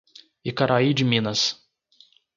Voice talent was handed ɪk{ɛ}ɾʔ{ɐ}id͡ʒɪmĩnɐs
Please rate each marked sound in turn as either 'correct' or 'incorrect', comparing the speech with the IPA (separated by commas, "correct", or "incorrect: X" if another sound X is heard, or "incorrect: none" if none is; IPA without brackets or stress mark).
incorrect: a, incorrect: a